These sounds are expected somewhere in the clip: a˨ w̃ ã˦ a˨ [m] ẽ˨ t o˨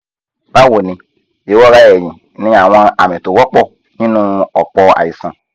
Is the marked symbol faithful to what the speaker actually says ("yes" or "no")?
yes